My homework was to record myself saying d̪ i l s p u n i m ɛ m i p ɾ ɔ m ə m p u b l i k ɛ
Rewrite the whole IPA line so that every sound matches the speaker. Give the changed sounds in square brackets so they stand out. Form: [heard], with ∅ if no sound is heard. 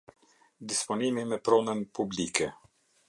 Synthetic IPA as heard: d̪ i [∅] s p [ɔ] n i m [i] m [ɛ] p ɾ ɔ [n] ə [n] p u b l i k ɛ